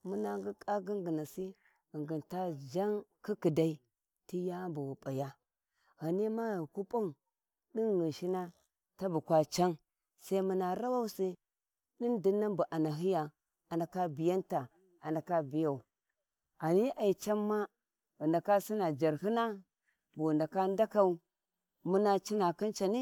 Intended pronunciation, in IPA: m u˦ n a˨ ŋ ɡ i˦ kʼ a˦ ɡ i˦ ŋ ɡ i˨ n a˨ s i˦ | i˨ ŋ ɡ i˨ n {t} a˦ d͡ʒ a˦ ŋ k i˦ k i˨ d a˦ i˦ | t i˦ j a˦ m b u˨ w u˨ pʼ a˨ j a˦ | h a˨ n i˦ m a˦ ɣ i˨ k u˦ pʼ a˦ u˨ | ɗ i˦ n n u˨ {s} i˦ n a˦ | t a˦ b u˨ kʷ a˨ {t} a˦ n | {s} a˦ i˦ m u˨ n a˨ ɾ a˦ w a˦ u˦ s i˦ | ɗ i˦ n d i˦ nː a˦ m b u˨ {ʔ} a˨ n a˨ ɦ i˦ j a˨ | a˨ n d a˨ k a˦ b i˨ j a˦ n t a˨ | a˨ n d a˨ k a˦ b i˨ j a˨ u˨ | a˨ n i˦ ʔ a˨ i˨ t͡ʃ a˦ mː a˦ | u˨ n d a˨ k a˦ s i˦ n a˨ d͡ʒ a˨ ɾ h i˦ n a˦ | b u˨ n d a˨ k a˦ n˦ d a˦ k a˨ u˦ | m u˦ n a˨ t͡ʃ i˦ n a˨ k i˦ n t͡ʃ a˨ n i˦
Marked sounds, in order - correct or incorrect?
correct, incorrect, incorrect, correct, correct

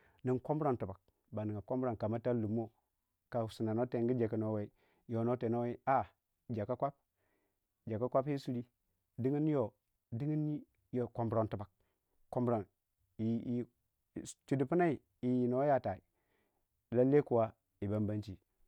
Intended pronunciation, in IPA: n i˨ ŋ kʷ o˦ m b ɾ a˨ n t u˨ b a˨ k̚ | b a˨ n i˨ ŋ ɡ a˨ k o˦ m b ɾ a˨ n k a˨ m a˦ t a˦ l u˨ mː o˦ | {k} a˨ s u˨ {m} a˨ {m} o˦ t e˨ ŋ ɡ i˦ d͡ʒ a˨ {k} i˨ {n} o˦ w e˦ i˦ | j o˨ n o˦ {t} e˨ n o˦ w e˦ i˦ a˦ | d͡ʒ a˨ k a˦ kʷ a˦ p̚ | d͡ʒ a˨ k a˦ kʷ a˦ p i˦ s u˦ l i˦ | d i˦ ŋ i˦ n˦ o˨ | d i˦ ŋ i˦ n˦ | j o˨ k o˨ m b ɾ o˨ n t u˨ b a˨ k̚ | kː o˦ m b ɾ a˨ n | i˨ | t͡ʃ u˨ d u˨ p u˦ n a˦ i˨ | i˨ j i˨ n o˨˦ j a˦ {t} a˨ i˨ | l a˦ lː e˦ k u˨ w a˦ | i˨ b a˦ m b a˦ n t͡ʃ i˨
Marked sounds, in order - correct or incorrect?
correct, incorrect, incorrect, correct, correct, correct, correct

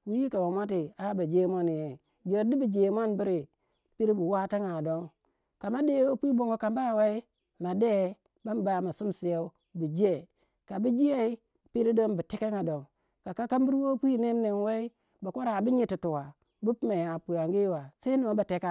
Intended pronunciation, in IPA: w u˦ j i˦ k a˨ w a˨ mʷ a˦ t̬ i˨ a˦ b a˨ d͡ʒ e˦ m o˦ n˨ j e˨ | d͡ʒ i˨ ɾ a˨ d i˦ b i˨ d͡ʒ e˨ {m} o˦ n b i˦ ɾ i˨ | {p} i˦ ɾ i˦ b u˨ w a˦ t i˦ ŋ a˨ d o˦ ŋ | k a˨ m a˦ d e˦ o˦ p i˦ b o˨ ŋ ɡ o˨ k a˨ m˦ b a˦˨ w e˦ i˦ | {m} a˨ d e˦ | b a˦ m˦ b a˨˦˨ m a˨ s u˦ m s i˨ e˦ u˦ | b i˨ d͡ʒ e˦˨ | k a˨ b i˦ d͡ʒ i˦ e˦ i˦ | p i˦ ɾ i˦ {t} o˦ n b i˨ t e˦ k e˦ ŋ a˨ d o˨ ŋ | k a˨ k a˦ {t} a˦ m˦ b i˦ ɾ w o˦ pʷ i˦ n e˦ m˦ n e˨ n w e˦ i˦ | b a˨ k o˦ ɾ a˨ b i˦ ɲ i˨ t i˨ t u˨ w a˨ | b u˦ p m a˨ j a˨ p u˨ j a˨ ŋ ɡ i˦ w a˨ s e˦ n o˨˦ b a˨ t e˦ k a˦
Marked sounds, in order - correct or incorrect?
correct, correct, correct, incorrect, incorrect

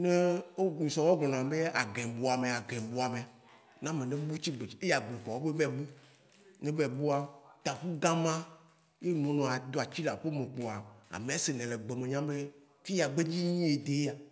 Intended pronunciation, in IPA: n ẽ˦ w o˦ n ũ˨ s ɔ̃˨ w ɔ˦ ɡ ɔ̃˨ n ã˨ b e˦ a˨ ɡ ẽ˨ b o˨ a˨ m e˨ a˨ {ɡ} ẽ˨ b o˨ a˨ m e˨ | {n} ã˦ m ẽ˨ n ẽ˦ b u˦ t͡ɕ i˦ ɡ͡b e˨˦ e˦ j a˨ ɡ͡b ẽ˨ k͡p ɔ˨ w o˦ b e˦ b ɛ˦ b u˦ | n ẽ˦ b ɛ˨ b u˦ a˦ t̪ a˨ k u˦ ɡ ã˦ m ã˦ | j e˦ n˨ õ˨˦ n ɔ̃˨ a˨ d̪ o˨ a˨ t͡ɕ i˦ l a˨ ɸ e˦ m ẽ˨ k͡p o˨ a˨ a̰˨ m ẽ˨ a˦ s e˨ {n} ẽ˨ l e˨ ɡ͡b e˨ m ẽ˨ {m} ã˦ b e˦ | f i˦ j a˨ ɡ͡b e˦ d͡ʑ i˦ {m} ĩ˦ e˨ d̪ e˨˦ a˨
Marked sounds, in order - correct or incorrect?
correct, correct, correct, incorrect, incorrect

